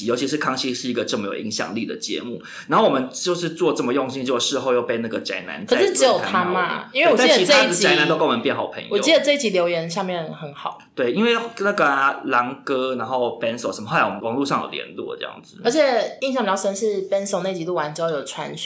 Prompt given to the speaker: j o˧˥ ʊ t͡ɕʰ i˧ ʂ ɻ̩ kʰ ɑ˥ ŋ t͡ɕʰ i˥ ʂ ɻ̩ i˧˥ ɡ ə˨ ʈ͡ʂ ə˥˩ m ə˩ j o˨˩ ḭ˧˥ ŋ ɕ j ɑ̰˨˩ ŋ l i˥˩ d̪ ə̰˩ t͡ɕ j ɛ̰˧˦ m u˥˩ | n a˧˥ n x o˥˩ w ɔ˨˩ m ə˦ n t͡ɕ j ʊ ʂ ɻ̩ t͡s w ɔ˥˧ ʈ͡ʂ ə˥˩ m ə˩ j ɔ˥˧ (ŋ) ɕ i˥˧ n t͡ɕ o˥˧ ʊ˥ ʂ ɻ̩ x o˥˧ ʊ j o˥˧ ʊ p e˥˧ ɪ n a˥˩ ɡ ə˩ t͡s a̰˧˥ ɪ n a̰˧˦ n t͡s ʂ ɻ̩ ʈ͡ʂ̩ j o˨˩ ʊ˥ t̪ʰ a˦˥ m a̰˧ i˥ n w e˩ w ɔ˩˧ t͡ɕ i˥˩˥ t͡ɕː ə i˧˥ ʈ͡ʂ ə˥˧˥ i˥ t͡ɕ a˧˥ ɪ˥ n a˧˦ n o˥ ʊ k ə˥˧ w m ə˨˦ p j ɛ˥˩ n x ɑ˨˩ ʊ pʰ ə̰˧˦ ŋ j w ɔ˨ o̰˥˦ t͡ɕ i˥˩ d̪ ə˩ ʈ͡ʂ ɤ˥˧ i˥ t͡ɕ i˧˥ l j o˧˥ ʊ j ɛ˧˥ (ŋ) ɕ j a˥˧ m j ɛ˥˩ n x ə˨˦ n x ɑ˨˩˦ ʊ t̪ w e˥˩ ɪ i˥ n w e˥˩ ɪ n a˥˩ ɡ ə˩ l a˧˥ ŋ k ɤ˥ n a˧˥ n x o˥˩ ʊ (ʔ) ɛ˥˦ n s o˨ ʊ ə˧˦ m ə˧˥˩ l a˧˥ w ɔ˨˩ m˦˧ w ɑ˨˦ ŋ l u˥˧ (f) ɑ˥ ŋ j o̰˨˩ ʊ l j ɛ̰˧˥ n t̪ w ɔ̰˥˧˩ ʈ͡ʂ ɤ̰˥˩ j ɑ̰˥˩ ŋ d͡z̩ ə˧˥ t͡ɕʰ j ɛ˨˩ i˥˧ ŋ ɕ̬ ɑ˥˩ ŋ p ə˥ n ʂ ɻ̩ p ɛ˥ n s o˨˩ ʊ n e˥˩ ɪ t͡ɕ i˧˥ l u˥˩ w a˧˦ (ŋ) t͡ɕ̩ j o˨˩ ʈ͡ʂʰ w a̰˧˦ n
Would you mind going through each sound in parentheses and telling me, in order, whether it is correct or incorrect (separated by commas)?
correct, incorrect, incorrect, incorrect, incorrect